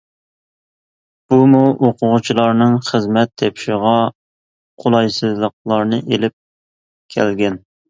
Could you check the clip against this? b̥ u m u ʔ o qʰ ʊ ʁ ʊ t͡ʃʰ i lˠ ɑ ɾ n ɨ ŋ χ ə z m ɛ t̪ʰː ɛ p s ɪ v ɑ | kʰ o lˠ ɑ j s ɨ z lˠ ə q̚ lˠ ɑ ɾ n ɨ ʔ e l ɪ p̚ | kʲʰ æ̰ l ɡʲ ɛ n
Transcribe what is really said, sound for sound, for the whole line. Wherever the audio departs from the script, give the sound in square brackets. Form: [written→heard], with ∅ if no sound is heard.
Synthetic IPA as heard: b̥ u m u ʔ o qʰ ʊ ʁ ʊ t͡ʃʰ i lˠ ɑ ɾ n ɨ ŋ χ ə z m ɛ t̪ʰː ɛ p [s→ʃ] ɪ [v→ʁ] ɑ | [kʰ→qʰ] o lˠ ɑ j s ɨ z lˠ ə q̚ lˠ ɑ ɾ n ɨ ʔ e l ɪ p̚ | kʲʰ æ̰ l ɡʲ ɛ n